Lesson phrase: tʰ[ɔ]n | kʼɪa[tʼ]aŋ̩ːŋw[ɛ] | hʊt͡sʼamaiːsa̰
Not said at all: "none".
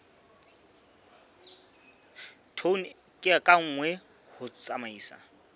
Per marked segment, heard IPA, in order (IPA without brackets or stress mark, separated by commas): o, kʼ, ɛ